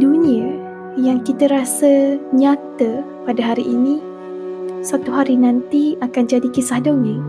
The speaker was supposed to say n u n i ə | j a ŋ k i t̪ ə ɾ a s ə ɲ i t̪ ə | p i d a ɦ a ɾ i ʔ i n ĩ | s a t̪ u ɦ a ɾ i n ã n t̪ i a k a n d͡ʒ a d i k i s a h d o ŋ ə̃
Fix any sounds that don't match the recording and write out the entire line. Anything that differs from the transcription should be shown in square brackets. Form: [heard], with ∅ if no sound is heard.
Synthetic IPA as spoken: [d] u n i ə | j a ŋ k i t̪ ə ɾ a s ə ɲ [a] t̪ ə | p [a] d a ɦ a ɾ i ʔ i n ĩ | s a t̪ u ɦ a ɾ i n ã n t̪ i a k a n d͡ʒ a d i k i s a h d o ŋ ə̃